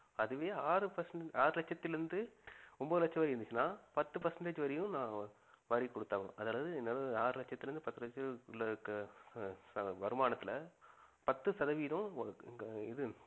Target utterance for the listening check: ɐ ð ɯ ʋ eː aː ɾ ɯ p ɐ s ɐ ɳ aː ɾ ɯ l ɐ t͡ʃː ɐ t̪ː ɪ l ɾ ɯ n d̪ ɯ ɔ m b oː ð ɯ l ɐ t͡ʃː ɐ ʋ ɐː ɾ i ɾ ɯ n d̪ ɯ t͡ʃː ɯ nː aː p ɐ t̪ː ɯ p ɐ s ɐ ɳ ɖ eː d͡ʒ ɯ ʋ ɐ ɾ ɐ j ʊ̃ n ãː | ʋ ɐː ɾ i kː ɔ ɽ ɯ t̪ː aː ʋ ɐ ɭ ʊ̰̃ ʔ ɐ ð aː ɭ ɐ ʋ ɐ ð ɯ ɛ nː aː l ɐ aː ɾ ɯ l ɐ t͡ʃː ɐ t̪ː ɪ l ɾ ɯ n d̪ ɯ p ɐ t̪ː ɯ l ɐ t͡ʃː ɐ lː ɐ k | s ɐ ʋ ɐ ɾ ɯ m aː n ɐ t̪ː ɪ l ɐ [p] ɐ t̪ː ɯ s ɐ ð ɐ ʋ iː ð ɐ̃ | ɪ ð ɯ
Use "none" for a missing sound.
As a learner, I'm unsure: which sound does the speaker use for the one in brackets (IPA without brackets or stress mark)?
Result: p